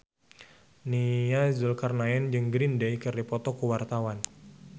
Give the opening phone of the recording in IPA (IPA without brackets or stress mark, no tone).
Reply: n